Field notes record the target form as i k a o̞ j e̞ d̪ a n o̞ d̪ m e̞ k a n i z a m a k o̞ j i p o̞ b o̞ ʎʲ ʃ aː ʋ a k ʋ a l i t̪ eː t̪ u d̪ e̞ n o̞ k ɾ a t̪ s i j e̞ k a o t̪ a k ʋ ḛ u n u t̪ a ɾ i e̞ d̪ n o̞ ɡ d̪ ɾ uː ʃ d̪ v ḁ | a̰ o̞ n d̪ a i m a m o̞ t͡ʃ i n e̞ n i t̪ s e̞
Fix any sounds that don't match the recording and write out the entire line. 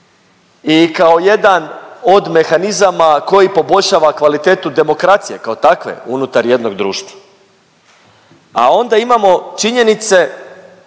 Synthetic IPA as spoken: i k a o̞ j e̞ d̪ a n o̞ d̪ m e̞ x a n i z a m a k o̞ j i p o̞ b o̞ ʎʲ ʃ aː ʋ a k ʋ a l i t̪ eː t̪ u d̪ e̞ m o̞ k ɾ a t̪ s i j e̞ k a o t̪ a k ʋ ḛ u n u t̪ a ɾ j e̞ d̪ n o̞ ɡ d̪ ɾ uː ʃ t̪ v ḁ | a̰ o̞ n d̪ a i m a m o̞ t͡ʃ i ɲ e̞ n i t̪ s e̞

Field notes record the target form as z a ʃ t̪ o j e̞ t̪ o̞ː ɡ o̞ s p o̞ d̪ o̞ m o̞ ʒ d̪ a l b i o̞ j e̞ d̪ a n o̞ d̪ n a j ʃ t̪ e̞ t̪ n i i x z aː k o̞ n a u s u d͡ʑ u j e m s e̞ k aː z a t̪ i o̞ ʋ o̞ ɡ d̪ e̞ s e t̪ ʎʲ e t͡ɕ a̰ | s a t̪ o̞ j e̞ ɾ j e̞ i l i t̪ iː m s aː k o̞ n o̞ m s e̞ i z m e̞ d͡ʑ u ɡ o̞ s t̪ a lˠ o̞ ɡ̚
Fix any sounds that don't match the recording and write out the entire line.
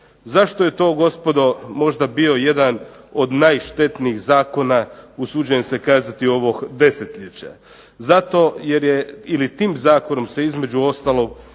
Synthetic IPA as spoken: z a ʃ t̪ o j e̞ t̪ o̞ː ɡ o̞ s p o̞ d̪ o̞ m o̞ ʒ d̪ a b i o̞ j e̞ d̪ a n o̞ d̪ n a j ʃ t̪ e̞ t̪ n i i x z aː k o̞ n a u s u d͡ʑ u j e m s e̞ k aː z a t̪ i o̞ ʋ o̞ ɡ d̪ e̞ s e t̪ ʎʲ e t͡ɕ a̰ | z a t̪ o̞ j e̞ ɾ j e̞ i l i t̪ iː m z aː k o̞ n o̞ m s e̞ i z m e̞ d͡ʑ u o̞ s t̪ a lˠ o̞ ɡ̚

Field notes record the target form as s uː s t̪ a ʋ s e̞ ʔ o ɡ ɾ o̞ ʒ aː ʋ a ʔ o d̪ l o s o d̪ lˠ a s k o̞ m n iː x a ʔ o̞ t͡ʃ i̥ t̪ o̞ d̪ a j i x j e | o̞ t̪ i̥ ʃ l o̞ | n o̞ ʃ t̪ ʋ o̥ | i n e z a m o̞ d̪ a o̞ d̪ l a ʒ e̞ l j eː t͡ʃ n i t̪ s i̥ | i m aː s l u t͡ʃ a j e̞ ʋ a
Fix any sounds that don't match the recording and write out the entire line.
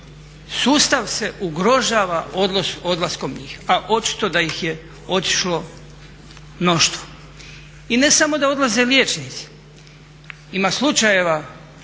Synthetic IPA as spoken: s uː s t̪ a ʋ s e̞ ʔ u ɡ ɾ o̞ ʒ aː ʋ a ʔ o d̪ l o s o d̪ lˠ a s k o̞ m ɲ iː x a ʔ o̞ t͡ʃ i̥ t̪ o̞ d̪ a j i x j e | o̞ t̪ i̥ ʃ l o̞ | n o̞ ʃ t̪ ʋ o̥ | i n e s a m o̞ d̪ a o̞ d̪ l a z e̞ l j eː t͡ʃ n i t̪ s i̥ | i m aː s l u t͡ʃ a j e̞ ʋ a

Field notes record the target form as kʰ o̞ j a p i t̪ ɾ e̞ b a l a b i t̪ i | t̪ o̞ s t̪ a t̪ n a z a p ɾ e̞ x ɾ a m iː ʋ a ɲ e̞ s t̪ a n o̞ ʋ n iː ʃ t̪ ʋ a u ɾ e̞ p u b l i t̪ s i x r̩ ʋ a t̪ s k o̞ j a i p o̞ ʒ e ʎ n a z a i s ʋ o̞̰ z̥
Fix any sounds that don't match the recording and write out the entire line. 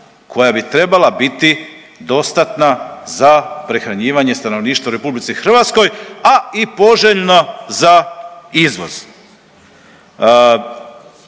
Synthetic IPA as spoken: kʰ o̞ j a b i t̪ ɾ e̞ b a l a b i t̪ i | d̪ o̞ s t̪ a t̪ n a z a p ɾ e̞ x ɾ a ɲ iː ʋ a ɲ e̞ s t̪ a n o̞ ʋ n iː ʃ t̪ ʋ a u ɾ e̞ p u b l i t̪ s i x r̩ ʋ a t̪ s k o̞ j a i p o̞ ʒ e ʎ n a z a i z ʋ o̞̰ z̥

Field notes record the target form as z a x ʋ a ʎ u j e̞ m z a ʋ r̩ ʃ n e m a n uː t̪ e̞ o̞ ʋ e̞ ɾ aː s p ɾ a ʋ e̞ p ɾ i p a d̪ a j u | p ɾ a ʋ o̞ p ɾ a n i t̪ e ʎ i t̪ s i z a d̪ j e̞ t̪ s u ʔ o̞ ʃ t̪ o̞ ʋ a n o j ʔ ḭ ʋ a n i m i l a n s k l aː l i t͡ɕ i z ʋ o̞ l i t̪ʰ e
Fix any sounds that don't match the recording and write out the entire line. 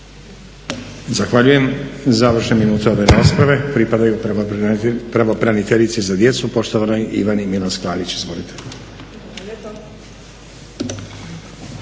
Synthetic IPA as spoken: z a x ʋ a ʎ u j e̞ m z a ʋ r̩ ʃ n e m i n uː t̪ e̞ o̞ ʋ e̞ ɾ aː s p ɾ a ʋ e̞ p ɾ i p a d̪ a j u | p ɾ a ʋ o̞ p ɾ a n i t̪ e ʎ i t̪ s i z a d̪ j e̞ t̪ s u p o̞ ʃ t̪ o̞ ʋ a n o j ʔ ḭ ʋ a n i m i l a n s k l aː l i t͡ɕ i z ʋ o̞ l i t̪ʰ e

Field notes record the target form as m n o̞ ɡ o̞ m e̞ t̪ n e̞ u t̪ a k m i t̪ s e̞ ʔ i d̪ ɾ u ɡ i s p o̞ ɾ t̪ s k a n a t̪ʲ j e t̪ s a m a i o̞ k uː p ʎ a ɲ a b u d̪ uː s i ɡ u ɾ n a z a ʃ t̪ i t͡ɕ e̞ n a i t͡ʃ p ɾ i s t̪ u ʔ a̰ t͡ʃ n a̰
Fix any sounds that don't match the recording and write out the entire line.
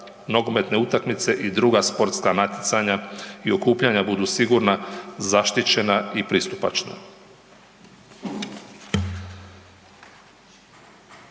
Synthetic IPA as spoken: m n o̞ ɡ o̞ m e̞ t̪ n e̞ u t̪ a k m i t̪ s e̞ ʔ i d̪ ɾ u ɡ a s p o̞ ɾ t̪ s k a n a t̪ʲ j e t̪ s a ɲ a i o̞ k uː p ʎ a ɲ a b u d̪ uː s i ɡ u ɾ n a z a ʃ t̪ i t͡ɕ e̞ n a i p ɾ i s t̪ u p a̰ t͡ʃ n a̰

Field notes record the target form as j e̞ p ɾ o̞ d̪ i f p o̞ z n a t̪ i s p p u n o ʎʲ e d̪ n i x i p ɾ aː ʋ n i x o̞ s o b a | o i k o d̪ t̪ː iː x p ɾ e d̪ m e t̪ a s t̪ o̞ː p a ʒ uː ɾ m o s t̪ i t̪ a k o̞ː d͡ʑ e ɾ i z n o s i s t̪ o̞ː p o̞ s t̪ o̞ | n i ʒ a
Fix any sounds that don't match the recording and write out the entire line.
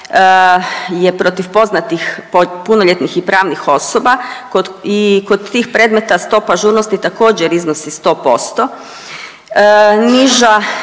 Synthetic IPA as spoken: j e̞ p ɾ o̞ t̪ i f p o̞ z n a t̪ i x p p u n o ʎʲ e t̪ n i x i p ɾ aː ʋ n i x o̞ s o b a | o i k o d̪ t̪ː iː x p ɾ e d̪ m e t̪ a s t̪ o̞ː p a ʒ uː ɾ n o s t̪ i t̪ a k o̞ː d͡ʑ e ɾ i z n o s i s t̪ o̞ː p o̞ s t̪ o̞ | n i ʒ a

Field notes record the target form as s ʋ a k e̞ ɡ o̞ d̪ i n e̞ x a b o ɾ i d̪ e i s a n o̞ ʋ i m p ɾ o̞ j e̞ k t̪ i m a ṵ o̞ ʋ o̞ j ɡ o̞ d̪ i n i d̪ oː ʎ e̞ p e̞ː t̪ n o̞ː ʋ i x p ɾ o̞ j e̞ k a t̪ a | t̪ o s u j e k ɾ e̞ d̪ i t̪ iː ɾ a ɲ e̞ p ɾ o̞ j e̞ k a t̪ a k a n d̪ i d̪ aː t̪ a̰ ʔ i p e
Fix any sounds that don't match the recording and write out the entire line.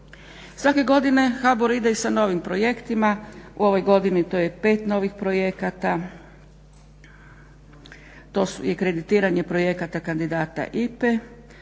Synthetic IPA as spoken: s ʋ a k e̞ ɡ o̞ d̪ i n e̞ x a b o ɾ i d̪ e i s a n o̞ ʋ i m p ɾ o̞ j e̞ k t̪ i m a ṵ o̞ ʋ o̞ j ɡ o̞ d̪ i n i t̪ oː j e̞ p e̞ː t̪ n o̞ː ʋ i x p ɾ o̞ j e̞ k a t̪ a | t̪ o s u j e k ɾ e̞ d̪ i t̪ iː ɾ a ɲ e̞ p ɾ o̞ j e̞ k a t̪ a k a n d̪ i d̪ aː t̪ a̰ ʔ i p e

